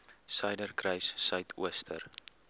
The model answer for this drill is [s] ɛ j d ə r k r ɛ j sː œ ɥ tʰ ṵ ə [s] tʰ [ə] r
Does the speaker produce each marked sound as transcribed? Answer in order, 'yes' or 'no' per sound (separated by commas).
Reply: yes, yes, yes